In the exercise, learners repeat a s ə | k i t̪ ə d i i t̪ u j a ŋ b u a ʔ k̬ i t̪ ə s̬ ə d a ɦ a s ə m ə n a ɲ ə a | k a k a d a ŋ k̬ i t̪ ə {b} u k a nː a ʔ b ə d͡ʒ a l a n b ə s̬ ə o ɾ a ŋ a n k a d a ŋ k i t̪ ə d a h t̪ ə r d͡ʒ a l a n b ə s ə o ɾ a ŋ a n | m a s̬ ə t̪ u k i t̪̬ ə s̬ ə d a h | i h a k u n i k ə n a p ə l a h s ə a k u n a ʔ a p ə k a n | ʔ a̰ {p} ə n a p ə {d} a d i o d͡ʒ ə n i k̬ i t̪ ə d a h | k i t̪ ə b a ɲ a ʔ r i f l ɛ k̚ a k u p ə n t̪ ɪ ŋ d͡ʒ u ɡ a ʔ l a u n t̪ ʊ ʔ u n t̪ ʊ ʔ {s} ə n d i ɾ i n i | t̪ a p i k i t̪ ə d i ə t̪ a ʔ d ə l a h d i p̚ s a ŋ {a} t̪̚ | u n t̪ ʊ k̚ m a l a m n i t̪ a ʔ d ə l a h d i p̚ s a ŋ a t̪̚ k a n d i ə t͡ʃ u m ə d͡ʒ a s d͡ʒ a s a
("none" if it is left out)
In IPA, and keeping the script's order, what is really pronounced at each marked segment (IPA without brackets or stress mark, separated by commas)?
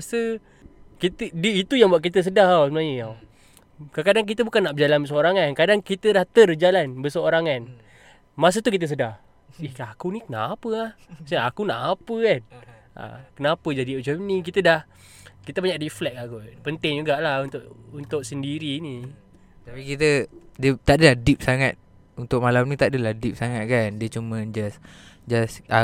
b, k, d͡ʒ, s, a